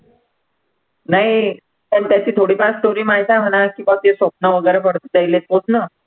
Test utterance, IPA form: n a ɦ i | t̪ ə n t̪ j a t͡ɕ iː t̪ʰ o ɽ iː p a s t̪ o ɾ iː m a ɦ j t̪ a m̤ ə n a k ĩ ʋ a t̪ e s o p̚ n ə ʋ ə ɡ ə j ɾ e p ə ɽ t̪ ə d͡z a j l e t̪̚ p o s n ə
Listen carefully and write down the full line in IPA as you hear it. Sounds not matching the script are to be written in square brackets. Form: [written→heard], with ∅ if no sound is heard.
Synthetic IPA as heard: n a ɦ i | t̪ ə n t̪ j a t͡ɕ iː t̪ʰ o ɽ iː p a s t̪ o ɾ iː m a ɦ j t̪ a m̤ ə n a k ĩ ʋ a t̪ e s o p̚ n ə ʋ ə ɡ ə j ɾ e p ə ɽ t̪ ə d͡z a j l e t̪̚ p o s n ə